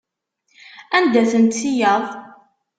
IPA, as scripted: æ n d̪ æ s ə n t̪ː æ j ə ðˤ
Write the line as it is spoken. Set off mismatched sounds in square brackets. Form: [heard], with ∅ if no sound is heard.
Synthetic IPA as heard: æ n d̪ æ [θ] ə n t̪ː [i] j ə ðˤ

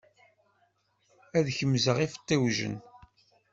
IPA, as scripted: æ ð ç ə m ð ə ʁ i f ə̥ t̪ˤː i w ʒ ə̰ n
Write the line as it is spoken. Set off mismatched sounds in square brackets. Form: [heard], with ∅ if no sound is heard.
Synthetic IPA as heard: æ ð ç ə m [z] ə ʁ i f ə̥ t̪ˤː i w ʒ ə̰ n

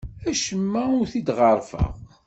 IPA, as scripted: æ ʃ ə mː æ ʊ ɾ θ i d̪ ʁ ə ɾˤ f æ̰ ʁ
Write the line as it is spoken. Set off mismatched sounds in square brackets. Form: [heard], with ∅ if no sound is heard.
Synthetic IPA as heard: æ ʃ ə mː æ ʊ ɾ θ i d̪ ʁ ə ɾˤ f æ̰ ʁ

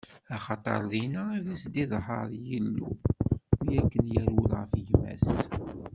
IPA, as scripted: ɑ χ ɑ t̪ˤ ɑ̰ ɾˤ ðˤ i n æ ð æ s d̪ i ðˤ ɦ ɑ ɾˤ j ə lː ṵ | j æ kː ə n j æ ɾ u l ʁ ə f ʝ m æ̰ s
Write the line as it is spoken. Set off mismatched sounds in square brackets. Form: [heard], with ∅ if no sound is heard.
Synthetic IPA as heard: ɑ χ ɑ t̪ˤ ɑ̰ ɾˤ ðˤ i n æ ð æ s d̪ i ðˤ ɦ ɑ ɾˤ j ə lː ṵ | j æ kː ə n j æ ɾ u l ʁ ə f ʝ m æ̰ s

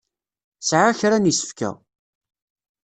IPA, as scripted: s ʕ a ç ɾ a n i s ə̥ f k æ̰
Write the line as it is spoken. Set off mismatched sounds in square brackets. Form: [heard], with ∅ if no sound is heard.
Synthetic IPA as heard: s ʕ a ç ɾ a n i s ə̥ f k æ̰

